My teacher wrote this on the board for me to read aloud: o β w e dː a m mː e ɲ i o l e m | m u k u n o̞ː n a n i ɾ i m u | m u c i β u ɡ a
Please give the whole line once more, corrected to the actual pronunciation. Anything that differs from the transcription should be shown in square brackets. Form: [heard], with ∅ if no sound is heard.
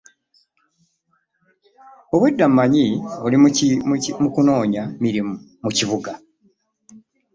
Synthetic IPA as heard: o β w e dː a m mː [a] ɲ i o l [i] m | m u k u n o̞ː [ɲ] a [m] i ɾ i m u | m u c i β u ɡ a